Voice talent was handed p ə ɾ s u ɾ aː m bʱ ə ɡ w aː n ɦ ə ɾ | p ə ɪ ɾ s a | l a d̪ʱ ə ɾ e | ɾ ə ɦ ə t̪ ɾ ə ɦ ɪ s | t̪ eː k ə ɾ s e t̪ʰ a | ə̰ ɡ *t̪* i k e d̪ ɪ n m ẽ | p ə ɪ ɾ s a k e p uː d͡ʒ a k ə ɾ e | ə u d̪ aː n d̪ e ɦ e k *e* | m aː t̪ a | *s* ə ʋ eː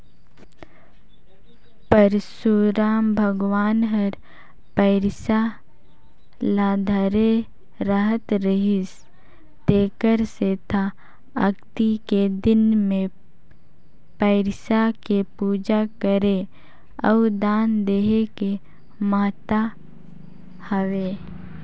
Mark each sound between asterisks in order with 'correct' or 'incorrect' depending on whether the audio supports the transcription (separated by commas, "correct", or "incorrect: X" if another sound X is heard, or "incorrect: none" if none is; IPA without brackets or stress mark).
correct, correct, incorrect: h